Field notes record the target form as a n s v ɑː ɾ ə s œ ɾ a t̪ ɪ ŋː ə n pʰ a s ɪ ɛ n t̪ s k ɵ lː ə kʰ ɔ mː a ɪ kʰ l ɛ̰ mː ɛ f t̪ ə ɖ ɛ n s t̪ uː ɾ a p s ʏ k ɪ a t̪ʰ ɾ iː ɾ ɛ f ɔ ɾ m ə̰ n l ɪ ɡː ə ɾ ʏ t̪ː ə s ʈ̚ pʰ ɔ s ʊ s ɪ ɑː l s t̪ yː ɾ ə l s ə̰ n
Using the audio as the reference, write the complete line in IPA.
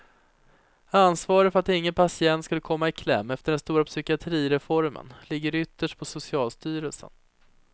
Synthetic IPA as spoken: a n s v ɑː ɾ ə f œ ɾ a t̪ ɪ ŋː ə n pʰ a s ɪ ɛ n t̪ s k ɵ lː ə kʰ ɔ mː a ɪ kʰ l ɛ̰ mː ɛ f t̪ ə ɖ ɛ n s t̪ uː ɾ a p s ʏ k ɪ a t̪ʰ ɾ iː ɾ ɛ f ɔ ɾ m ə̰ n l ɪ ɡː ə ɾ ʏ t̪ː ə ʂ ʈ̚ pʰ ɔ s ʊ s ɪ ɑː l s t̪ yː ɾ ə l s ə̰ n